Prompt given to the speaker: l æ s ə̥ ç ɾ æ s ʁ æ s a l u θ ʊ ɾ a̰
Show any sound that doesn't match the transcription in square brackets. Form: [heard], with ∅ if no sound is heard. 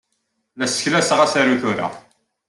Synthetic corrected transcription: l æ s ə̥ ç [l] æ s ʁ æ s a [ɾ] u θ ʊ ɾ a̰